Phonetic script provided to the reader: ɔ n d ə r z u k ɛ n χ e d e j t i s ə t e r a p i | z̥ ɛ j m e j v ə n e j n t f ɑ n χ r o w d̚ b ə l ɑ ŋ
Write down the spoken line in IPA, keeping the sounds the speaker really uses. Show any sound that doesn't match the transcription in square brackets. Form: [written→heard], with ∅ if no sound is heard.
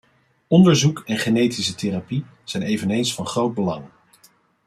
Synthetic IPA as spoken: ɔ n d ə [r→ɹ] z u k ɛ n χ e [d→n] e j t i s ə t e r a p i | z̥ ɛ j [m→n] e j v ə n e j n [t→s] f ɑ n χ r o w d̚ b ə l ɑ ŋ

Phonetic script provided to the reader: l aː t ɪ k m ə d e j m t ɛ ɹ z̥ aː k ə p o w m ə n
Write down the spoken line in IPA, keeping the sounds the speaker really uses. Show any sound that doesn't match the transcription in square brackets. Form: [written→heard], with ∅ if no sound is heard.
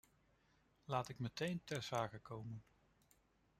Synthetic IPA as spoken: l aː t ɪ k m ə [d→t] e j [m→n] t ɛ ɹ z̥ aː k ə [p→k] o w m ə n

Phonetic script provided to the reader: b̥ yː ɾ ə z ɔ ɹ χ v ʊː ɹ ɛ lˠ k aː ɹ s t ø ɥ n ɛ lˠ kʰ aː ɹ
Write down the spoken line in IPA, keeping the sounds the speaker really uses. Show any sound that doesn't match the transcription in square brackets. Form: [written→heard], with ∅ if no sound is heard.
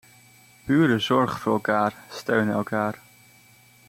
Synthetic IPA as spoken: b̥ yː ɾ ə z ɔ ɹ χ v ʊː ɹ ɛ lˠ k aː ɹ s t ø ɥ n ɛ lˠ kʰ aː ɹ

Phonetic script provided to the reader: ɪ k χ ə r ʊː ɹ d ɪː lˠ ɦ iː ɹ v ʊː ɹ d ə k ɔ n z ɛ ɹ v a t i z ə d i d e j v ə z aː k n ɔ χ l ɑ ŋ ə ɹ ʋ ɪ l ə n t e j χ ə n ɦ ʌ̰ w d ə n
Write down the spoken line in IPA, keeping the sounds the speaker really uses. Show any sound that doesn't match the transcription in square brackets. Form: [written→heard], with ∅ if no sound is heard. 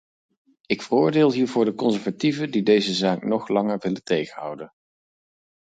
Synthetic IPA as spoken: ɪ k [χ→f] ə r ʊː ɹ d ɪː lˠ ɦ iː ɹ v ʊː ɹ d ə k ɔ n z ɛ ɹ v a t i [z→v] ə d i d e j [v→z] ə z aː k n ɔ χ l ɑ ŋ ə ɹ ʋ ɪ l ə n t e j χ ə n ɦ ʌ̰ w d ə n

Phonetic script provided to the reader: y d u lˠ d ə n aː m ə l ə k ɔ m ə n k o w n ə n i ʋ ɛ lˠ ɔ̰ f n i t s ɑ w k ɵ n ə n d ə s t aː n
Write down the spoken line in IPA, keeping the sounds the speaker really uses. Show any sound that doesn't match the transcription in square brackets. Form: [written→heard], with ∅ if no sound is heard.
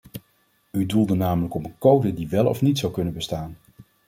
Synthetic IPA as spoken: y d u lˠ d ə n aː m ə l ə k ɔ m ə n k o w [n→d] ə [n→d] i ʋ ɛ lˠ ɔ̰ f n i t s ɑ w k ɵ n ə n [d→b] ə s t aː n

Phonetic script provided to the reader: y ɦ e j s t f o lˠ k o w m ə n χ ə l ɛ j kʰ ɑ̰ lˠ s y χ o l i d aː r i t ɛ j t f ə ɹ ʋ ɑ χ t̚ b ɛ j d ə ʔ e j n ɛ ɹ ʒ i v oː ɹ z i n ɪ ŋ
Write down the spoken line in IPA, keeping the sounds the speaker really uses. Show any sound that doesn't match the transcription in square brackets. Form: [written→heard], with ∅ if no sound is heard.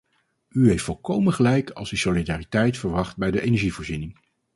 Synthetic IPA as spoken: y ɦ e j [s→f] t f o lˠ k o w m ə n χ ə l ɛ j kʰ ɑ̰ lˠ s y [χ→s] o l i d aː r i t ɛ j t f ə ɹ ʋ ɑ χ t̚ b ɛ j d ə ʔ e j n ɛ ɹ ʒ i v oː ɹ z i n ɪ ŋ

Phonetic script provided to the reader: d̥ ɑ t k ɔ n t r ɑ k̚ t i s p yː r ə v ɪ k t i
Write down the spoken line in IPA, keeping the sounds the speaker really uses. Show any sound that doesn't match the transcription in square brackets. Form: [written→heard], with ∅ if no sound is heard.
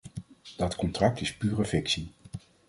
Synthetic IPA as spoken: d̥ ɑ t k ɔ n t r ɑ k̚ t [i→ɪ] s p yː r ə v ɪ k [t→s] i

